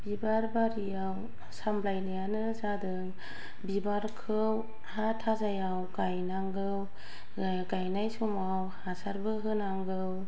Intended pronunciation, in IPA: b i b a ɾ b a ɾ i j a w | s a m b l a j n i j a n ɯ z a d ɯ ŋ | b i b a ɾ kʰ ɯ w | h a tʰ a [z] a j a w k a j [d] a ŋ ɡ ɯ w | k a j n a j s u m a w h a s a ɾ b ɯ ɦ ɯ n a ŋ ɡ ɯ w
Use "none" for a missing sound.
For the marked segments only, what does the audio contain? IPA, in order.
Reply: z, n

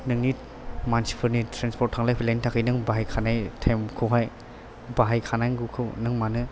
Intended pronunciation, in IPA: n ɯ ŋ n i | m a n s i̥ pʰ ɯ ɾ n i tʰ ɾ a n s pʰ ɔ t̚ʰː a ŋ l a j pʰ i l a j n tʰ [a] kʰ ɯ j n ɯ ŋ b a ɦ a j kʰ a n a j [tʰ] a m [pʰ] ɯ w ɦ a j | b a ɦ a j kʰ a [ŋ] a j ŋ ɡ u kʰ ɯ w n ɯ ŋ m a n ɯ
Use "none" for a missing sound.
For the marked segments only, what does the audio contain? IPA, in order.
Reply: a, tʰ, kʰ, n

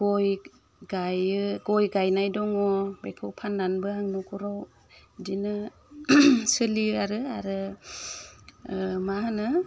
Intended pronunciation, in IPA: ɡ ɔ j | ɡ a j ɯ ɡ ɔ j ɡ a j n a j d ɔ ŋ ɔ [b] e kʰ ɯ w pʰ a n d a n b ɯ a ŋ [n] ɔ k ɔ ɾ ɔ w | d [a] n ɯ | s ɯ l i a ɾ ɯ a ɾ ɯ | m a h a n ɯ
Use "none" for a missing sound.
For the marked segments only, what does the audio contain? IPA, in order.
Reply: b, n, i

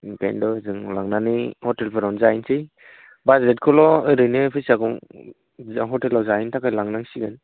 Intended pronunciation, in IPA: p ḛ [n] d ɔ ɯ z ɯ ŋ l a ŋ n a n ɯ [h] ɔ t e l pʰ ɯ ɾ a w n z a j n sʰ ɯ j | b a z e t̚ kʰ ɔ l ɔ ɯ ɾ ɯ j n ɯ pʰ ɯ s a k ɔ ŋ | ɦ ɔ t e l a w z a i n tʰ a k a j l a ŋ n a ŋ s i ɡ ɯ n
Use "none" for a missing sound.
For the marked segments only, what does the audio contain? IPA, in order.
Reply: n, h

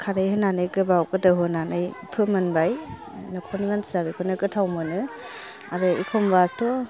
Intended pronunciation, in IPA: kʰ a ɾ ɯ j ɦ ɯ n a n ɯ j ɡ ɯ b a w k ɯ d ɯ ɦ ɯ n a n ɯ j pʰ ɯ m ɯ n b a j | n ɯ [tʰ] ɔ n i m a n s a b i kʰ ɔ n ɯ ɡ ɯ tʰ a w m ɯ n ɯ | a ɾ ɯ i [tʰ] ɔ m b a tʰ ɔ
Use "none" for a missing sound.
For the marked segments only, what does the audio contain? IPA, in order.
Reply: kʰ, kʰ

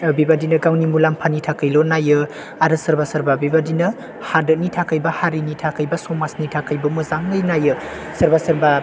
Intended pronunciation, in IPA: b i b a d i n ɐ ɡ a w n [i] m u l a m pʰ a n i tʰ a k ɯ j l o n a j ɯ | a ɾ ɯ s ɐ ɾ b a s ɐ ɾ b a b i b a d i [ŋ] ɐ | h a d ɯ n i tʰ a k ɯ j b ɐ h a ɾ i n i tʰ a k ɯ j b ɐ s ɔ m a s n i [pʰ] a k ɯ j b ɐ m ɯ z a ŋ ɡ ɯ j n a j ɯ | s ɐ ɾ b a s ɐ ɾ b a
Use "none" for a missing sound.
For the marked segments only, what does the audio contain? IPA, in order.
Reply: i, n, tʰ

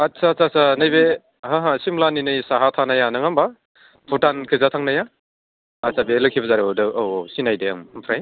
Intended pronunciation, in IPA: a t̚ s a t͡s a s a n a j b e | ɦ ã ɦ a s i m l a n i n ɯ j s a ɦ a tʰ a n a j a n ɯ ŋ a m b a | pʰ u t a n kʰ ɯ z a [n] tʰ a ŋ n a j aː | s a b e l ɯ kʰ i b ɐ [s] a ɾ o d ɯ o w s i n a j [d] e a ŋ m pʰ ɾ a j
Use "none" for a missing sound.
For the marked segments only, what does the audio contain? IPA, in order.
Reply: none, z, d

